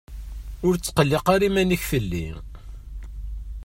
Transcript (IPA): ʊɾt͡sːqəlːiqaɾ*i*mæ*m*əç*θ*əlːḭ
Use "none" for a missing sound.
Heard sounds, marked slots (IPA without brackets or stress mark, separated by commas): i, n, f